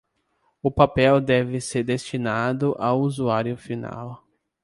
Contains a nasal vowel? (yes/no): no